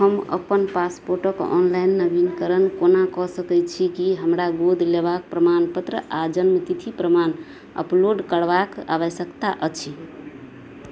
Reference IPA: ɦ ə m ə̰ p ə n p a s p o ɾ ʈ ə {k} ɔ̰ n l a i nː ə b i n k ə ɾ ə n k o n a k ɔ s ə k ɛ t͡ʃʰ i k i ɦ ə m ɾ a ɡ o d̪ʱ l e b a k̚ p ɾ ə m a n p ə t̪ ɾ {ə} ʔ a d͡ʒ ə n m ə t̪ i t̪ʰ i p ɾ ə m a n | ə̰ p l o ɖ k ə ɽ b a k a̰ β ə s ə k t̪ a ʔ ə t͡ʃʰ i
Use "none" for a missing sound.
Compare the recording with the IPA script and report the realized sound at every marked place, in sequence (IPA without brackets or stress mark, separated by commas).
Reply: k, ə